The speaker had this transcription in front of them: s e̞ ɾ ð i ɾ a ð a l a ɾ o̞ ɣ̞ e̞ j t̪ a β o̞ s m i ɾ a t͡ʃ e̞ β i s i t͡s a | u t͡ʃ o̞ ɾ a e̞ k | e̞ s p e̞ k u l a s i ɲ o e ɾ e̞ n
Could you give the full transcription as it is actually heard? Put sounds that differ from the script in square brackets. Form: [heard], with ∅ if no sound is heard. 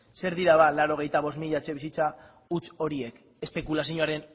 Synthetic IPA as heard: s e̞ ɾ ð i ɾ a ð a l a ɾ o̞ ɣ̞ e̞ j t̪ a β o̞ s m i [ʎ] a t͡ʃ e̞ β i s i t͡s a | u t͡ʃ o̞ ɾ [i] e̞ k | e̞ s p e̞ k u l a s i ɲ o [a] ɾ e̞ n